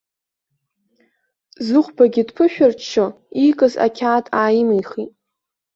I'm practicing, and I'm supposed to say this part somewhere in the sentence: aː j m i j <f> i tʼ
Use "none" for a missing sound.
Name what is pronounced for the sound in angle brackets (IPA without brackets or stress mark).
χ